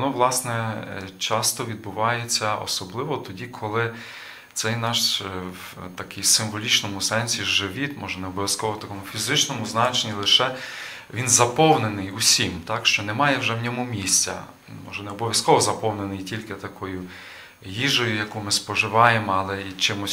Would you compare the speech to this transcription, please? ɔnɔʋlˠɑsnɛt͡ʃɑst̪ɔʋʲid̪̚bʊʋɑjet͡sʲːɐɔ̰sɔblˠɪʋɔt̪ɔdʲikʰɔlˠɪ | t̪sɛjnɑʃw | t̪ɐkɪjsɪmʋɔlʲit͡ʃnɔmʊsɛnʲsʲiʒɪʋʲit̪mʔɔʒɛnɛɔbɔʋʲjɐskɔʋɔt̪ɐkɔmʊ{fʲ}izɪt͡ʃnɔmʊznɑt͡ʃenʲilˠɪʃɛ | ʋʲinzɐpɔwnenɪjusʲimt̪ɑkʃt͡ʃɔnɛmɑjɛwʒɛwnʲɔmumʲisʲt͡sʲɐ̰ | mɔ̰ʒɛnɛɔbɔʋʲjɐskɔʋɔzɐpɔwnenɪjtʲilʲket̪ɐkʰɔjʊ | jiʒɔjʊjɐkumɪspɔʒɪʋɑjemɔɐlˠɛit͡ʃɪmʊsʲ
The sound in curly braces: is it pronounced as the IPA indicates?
yes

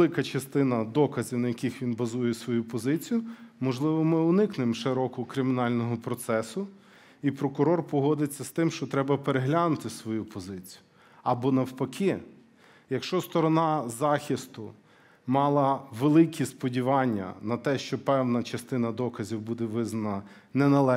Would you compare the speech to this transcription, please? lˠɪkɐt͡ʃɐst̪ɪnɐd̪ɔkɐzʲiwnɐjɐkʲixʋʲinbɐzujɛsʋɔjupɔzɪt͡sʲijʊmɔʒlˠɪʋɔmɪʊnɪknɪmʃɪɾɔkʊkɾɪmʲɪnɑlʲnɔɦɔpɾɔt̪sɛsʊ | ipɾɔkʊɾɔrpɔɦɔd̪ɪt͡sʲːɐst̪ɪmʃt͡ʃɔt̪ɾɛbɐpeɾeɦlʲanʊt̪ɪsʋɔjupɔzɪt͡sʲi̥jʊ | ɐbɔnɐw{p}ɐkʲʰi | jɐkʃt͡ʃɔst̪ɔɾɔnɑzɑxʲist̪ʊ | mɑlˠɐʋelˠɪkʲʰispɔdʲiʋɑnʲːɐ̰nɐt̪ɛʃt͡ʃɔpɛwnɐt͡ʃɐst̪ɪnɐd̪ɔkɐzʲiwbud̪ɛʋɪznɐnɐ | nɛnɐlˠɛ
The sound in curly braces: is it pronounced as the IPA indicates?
yes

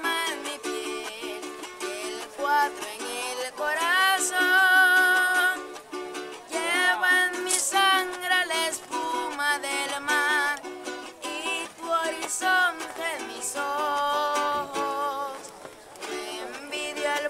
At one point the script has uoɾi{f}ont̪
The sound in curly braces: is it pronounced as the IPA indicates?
no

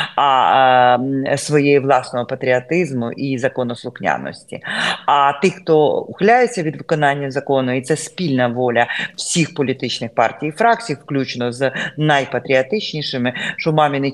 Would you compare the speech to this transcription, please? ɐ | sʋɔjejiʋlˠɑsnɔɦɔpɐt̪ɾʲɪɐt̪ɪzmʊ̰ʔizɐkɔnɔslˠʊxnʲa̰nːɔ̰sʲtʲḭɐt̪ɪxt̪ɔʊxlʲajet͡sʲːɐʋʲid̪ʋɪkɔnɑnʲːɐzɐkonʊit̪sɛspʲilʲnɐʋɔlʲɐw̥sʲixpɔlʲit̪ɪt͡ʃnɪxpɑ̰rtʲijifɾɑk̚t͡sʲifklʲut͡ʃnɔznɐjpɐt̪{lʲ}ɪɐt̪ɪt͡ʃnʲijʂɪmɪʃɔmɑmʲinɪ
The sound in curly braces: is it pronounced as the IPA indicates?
no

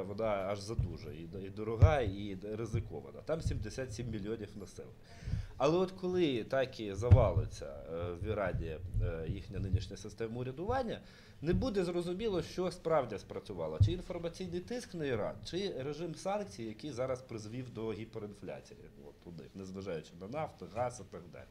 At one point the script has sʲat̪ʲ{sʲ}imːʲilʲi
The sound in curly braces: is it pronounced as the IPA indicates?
yes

